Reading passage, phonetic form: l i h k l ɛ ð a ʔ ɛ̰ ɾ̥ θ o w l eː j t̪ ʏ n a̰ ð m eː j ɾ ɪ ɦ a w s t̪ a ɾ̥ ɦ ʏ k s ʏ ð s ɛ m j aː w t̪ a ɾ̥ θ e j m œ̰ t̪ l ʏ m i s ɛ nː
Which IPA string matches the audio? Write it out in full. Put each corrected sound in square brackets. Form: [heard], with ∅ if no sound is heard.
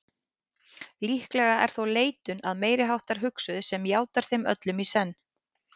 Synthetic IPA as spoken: l i h k l ɛ [ɣ] a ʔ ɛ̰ ɾ̥ θ o w l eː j t̪ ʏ n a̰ ð m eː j ɾ ɪ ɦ a w [h] t̪ a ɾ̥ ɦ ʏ k s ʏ ð s ɛ m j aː w t̪ a ɾ̥ θ e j m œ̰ t̪ l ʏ m i s ɛ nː